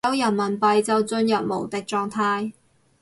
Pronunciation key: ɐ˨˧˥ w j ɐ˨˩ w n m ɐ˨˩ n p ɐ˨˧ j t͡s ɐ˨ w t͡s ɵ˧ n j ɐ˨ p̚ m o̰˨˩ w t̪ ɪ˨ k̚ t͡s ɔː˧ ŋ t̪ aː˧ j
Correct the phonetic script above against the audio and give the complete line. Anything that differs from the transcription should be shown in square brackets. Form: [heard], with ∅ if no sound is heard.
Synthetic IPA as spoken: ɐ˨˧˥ w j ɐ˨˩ [∅] n m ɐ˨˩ n p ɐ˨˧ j t͡s ɐ˨ w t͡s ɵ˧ n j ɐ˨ p̚ m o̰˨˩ w t̪ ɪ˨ k̚ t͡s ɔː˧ ŋ [t̪ʰ] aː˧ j